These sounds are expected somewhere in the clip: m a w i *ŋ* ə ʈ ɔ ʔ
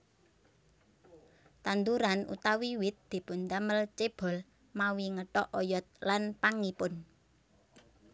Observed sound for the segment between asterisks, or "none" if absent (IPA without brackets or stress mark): ŋ